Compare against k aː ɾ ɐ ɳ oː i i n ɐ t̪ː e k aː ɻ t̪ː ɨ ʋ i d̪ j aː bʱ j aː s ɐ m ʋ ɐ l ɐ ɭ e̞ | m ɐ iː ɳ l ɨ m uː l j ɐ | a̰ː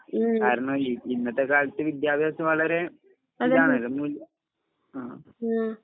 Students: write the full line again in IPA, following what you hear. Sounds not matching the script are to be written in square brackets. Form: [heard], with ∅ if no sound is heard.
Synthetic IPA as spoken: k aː ɾ ɐ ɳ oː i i [nː] ɐ t̪ː e k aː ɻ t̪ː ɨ ʋ i d̪ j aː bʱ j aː s ɐ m ʋ ɐ [ɭ] ɐ [ɾ] e̞ | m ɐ [aː] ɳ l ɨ m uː l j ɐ | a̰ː